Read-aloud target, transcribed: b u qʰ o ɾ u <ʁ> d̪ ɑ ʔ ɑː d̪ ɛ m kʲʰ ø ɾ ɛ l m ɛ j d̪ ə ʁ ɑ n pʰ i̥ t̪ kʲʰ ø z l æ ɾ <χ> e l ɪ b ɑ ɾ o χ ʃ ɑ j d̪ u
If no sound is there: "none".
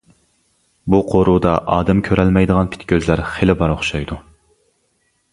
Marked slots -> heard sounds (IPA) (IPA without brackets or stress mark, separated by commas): none, χ